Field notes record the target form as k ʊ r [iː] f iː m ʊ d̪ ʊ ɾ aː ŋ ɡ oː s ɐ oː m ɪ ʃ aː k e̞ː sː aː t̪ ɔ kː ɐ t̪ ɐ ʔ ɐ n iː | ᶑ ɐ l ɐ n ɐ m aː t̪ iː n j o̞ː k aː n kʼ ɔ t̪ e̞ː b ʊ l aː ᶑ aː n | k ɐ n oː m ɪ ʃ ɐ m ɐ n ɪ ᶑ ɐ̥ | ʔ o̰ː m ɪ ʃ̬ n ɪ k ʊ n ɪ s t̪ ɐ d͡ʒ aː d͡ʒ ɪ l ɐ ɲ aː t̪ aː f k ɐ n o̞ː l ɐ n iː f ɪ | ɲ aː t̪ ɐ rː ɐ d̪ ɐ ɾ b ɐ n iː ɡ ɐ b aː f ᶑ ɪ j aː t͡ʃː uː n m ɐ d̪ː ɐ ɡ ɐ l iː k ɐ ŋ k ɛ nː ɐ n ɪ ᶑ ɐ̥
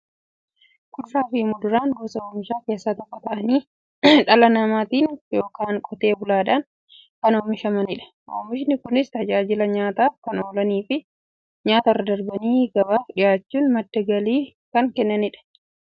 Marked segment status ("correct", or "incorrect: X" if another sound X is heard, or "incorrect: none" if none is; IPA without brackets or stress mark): incorrect: aː